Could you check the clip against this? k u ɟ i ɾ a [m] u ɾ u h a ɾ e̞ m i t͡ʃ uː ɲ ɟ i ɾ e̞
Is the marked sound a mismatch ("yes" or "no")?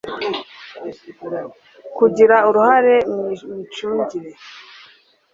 yes